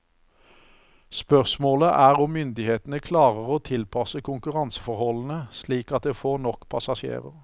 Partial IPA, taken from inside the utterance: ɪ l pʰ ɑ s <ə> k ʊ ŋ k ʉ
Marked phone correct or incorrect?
correct